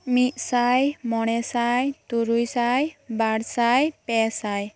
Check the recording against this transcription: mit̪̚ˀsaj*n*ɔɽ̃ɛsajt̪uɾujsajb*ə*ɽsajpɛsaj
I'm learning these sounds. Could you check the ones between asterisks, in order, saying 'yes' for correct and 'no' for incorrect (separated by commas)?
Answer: no, no